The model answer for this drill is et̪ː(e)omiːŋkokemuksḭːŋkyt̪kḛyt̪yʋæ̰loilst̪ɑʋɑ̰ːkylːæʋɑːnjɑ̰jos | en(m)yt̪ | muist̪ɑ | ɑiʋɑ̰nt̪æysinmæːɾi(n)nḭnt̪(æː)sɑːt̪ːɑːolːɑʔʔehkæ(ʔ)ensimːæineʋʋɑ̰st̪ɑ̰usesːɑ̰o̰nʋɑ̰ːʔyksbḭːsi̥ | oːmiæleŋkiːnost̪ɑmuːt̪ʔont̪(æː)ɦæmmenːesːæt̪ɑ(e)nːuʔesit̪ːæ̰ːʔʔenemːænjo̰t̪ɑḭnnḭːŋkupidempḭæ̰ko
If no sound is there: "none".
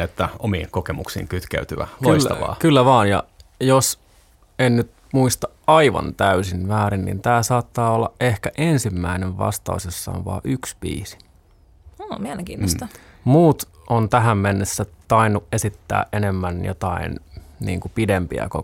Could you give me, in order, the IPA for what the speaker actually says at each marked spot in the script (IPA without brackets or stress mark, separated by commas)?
æ, n, n, æː, ʔ, æ, i